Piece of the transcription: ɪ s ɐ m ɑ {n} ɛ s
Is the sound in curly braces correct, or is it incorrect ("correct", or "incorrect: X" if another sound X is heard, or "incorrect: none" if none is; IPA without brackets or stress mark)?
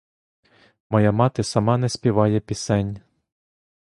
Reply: correct